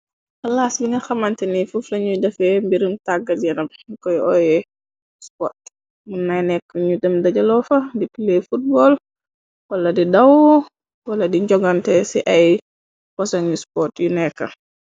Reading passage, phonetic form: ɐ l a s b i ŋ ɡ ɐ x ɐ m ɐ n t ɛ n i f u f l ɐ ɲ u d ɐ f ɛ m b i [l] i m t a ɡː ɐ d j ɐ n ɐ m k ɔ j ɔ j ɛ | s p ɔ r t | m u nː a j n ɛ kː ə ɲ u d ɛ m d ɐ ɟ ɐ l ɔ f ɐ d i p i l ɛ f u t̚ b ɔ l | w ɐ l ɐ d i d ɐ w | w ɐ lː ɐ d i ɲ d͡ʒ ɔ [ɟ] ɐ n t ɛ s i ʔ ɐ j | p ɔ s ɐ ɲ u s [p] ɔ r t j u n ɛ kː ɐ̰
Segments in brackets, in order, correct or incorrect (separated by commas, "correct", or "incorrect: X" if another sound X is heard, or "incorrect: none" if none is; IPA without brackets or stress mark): incorrect: ɾ, incorrect: ɡ, correct